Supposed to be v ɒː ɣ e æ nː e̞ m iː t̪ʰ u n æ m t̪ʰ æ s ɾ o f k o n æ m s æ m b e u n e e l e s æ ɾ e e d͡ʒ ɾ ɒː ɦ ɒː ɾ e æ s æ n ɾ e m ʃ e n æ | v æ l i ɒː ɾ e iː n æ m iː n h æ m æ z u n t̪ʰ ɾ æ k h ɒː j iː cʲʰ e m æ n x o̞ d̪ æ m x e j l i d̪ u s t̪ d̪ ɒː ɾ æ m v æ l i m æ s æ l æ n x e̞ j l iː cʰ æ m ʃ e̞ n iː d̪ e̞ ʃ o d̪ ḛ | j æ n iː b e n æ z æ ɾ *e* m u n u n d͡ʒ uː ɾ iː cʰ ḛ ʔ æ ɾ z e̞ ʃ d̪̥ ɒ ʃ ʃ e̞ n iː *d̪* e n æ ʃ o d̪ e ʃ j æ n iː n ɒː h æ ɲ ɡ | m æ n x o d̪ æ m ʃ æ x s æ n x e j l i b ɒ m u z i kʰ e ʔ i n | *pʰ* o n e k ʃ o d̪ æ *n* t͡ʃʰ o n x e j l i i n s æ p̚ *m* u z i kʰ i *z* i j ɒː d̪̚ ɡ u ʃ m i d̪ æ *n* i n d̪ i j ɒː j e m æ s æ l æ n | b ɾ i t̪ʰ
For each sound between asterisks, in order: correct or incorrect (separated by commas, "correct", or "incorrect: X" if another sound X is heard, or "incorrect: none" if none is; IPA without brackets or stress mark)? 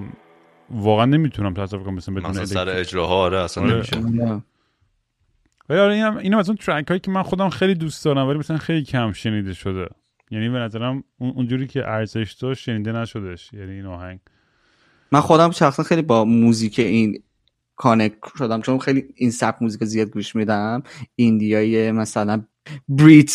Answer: incorrect: æ, correct, incorrect: kʰ, incorrect: m, correct, correct, incorrect: m